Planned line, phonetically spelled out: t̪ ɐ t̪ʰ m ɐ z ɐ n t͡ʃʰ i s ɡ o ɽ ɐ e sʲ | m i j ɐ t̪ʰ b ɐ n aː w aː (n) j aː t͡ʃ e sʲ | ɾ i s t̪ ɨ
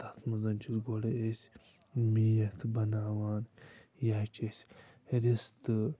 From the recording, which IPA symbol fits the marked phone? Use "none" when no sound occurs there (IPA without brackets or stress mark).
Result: n